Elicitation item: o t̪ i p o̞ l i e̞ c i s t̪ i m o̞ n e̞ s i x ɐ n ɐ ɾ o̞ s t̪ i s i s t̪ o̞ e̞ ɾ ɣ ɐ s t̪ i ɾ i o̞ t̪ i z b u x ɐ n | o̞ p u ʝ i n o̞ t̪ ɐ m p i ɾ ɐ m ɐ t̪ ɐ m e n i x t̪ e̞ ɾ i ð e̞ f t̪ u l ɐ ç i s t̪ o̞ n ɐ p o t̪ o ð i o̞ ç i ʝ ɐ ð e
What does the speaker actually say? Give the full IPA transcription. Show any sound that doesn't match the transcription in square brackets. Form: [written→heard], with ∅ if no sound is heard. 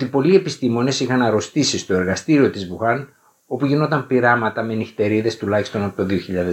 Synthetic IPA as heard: o t̪ i p o̞ l i e̞ [c→p] i s t̪ i m o̞ n e̞ s i x ɐ n ɐ ɾ o̞ s t̪ i s i s t̪ o̞ e̞ ɾ ɣ ɐ s t̪ i ɾ i o̞ t̪ i z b u x ɐ n | o̞ p u ʝ i n o̞ t̪ ɐ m p i ɾ ɐ m ɐ t̪ ɐ m e n i x t̪ e̞ ɾ i ð e̞ [f→s] t̪ u l ɐ ç i s t̪ o̞ n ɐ p o t̪ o ð i o̞ ç i [ʝ→ʎ] ɐ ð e